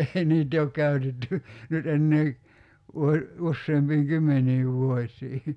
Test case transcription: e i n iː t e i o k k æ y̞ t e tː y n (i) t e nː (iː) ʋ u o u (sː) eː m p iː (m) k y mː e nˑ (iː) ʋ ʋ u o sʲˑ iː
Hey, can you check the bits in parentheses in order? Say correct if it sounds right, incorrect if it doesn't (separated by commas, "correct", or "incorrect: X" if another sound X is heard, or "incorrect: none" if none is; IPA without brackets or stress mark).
incorrect: y, incorrect: eː, correct, incorrect: ŋ, correct